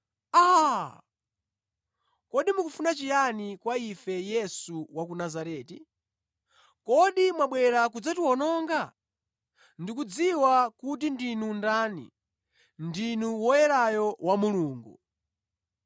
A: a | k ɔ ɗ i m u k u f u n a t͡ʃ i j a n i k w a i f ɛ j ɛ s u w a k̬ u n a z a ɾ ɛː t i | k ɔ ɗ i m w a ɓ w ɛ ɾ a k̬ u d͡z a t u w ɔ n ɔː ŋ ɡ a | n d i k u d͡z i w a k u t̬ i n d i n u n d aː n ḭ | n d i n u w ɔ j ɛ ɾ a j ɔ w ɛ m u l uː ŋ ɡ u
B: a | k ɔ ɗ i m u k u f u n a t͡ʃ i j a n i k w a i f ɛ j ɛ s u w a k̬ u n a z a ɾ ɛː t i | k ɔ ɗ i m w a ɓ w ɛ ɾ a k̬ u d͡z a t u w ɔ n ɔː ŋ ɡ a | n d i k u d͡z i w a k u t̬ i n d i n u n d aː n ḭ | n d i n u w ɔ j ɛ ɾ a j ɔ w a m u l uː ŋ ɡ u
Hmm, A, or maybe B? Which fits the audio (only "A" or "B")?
B